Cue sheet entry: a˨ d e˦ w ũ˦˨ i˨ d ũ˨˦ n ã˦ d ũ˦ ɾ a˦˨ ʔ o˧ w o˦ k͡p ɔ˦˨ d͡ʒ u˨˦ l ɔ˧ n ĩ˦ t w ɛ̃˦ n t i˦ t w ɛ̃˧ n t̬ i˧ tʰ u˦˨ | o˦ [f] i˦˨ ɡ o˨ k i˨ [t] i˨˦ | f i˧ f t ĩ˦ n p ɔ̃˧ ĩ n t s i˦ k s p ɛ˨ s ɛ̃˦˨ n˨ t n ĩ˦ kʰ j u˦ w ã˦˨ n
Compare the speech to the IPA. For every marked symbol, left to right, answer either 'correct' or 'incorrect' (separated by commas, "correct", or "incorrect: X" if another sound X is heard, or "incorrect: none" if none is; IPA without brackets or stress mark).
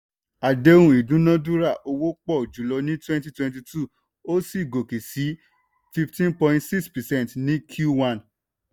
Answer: incorrect: s, incorrect: s